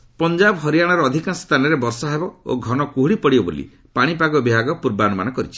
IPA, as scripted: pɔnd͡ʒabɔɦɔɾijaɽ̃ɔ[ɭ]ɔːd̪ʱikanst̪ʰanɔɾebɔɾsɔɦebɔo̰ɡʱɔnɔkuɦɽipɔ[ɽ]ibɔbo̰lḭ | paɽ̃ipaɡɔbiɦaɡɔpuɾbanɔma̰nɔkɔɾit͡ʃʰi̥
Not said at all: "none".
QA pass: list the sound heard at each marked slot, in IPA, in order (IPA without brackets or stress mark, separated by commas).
ɾ, ɽ